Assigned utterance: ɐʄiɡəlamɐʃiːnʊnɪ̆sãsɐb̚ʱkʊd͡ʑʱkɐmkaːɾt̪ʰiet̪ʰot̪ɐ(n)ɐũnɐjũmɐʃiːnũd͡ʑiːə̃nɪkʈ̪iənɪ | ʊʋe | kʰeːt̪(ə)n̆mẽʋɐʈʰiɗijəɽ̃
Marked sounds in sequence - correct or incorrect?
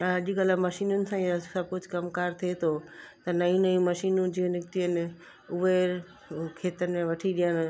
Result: correct, correct

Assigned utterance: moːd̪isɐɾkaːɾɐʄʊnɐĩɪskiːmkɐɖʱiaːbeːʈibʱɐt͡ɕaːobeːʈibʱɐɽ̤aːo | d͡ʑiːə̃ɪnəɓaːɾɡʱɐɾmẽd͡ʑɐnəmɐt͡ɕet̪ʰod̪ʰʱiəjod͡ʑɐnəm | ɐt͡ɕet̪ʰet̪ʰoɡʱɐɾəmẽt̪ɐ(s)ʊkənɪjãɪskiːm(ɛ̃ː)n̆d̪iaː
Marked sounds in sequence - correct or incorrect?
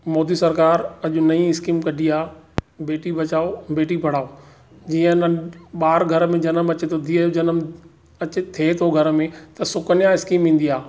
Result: correct, incorrect

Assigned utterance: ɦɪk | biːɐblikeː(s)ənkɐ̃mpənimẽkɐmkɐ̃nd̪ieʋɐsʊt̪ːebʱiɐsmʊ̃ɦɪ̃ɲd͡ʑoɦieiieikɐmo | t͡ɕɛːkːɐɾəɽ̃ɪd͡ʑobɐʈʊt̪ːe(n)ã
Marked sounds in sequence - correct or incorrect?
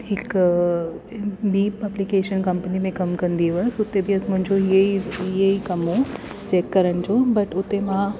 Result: incorrect, incorrect

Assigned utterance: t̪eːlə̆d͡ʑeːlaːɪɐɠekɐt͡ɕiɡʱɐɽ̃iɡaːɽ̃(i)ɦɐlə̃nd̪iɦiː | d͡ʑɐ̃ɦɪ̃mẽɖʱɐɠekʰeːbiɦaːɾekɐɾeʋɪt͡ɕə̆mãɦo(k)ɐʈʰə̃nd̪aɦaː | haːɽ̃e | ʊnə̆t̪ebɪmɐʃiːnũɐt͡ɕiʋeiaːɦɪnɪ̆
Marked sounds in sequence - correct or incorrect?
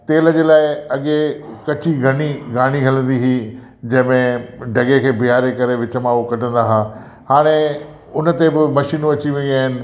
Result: correct, correct

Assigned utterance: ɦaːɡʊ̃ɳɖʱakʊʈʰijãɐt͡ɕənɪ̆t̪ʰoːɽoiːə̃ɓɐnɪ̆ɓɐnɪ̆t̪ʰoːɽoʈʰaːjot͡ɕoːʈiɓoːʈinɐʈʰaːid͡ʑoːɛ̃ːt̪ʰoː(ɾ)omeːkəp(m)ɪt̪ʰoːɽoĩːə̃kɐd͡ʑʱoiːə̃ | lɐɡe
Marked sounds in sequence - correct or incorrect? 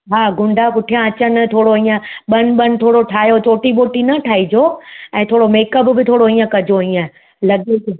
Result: incorrect, incorrect

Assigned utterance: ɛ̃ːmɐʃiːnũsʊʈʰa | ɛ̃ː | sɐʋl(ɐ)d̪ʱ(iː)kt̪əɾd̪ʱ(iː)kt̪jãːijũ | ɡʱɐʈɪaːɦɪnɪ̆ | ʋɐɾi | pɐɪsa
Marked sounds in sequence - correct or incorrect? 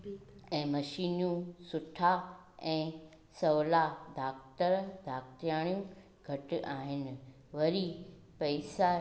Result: incorrect, incorrect, incorrect

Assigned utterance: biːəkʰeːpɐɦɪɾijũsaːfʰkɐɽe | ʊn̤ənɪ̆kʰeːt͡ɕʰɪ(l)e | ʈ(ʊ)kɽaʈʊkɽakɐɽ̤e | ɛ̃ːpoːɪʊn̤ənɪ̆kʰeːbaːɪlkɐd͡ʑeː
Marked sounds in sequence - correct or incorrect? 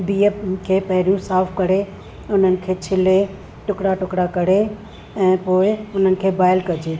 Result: correct, correct

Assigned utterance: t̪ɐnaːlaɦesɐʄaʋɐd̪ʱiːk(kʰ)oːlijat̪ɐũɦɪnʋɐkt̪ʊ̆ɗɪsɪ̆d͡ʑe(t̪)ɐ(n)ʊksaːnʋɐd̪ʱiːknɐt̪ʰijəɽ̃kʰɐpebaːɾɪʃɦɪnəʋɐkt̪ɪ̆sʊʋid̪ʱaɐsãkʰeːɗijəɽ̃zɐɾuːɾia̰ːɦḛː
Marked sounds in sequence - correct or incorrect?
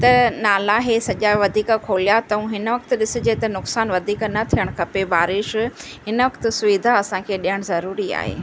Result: correct, correct, correct

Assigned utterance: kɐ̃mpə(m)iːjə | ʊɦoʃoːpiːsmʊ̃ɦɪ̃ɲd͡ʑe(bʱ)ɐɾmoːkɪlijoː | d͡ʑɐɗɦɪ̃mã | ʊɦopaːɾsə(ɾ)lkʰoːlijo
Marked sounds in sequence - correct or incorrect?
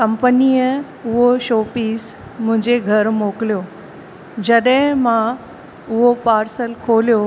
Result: incorrect, incorrect, incorrect

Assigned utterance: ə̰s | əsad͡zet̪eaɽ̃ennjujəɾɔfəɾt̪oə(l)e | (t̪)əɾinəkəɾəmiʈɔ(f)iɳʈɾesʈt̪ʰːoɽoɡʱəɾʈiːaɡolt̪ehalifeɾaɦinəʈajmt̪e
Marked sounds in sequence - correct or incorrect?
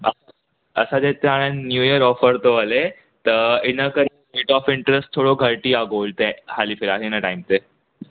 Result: correct, correct, correct

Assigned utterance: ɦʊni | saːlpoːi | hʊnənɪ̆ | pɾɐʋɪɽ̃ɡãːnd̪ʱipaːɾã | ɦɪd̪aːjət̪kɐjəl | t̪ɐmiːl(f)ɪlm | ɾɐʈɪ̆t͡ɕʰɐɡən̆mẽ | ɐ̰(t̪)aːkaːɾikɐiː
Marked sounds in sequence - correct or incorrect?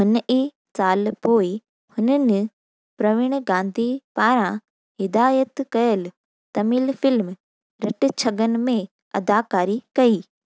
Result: correct, incorrect

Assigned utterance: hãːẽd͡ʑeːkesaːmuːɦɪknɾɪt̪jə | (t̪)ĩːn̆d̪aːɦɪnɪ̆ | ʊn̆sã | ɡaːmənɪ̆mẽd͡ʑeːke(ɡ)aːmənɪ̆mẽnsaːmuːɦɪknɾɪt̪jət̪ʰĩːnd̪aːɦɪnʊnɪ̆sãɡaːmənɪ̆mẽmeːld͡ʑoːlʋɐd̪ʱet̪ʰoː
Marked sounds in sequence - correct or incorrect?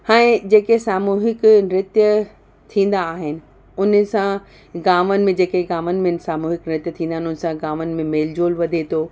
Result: incorrect, correct

